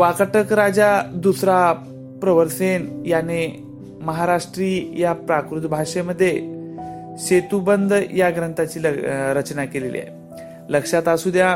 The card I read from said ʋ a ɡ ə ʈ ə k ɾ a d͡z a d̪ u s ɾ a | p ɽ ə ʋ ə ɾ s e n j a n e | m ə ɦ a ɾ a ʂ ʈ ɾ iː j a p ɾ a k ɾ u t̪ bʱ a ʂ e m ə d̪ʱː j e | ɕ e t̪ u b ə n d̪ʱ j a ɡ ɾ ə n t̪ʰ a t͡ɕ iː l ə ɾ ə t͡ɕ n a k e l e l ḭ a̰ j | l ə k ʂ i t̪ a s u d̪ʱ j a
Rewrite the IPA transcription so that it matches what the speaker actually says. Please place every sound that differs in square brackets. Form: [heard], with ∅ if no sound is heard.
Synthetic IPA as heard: ʋ a [k] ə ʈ ə k ɾ a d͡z a d̪ u s ɾ a | p [ɾ] ə ʋ ə ɾ s e n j a n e | m ə ɦ a ɾ a ʂ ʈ ɾ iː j a p ɾ a k ɾ u t̪ bʱ a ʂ e m ə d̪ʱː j e | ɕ e t̪ u b ə n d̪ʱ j a ɡ ɾ ə n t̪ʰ a t͡ɕ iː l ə ɾ ə t͡ɕ n a k e l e l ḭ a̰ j | l ə k ʂ [a] t̪ a s u d̪ʱ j a